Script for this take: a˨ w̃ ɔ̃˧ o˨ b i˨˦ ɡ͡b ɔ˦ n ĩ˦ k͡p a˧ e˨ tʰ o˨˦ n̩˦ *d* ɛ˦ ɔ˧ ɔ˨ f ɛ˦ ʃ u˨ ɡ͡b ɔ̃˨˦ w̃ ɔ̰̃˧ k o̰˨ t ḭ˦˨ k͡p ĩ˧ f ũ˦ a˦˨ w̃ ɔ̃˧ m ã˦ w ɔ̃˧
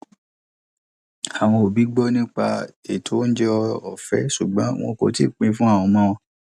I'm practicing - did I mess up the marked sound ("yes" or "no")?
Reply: yes